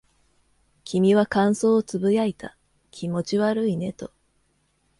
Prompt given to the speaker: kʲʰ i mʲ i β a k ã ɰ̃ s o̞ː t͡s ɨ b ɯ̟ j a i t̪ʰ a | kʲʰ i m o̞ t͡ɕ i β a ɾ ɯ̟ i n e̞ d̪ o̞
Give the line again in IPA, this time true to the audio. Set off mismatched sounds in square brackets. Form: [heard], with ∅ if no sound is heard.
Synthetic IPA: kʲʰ i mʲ i β a k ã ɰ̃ s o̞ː t͡s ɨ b ɯ̟ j a i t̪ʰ a | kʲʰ i m o̞ t͡ɕ i β a ɾ ɯ̟ i n e̞ [t̪] o̞